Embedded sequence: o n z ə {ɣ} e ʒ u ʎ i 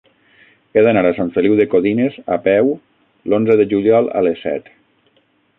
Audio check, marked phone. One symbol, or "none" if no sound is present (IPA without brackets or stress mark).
ð